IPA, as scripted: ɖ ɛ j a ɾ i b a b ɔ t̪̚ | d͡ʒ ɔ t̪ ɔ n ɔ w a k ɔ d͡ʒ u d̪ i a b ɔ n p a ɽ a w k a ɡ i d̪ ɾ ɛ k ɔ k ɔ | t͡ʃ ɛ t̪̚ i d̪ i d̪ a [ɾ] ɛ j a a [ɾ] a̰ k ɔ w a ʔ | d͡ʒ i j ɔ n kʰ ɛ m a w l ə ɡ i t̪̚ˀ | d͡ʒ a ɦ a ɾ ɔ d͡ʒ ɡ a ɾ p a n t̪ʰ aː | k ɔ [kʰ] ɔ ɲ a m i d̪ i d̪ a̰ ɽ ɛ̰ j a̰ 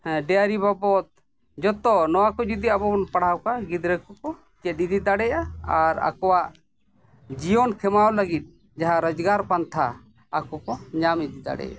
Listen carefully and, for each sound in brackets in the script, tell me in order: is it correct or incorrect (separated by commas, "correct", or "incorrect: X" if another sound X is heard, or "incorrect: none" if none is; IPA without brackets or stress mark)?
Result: incorrect: ɽ, correct, incorrect: k